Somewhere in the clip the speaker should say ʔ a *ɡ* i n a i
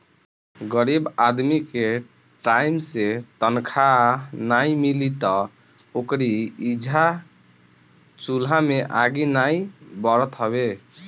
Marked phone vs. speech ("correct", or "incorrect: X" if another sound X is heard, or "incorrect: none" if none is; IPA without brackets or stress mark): correct